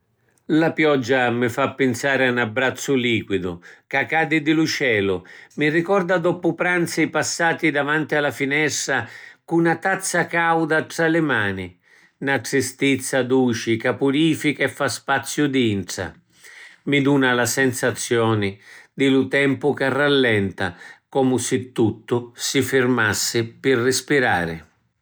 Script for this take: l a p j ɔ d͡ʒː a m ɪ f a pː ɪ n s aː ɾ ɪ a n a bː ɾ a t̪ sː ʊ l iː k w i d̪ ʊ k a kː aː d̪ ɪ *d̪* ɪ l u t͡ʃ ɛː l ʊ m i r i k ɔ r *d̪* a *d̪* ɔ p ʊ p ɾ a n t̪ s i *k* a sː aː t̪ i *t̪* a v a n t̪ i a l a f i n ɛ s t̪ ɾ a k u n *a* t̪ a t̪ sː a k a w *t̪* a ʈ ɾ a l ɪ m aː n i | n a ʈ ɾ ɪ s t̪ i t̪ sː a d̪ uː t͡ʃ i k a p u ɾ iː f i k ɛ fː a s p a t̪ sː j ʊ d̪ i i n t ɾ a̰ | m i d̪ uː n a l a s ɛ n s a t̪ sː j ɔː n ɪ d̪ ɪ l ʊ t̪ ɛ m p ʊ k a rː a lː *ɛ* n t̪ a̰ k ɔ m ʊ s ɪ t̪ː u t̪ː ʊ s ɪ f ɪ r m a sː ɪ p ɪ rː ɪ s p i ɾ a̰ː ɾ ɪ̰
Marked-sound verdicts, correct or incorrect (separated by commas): correct, correct, correct, incorrect, incorrect, correct, incorrect, correct